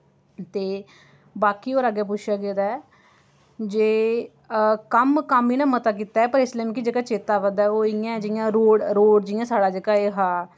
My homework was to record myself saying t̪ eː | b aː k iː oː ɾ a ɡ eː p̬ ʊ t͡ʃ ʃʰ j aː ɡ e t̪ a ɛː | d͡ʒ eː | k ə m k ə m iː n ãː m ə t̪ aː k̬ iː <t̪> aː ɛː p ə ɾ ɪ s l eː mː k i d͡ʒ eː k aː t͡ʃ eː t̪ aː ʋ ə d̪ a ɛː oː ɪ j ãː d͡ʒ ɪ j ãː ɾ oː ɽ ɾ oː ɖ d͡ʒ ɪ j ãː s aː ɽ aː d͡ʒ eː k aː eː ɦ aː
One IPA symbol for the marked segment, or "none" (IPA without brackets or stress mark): t̪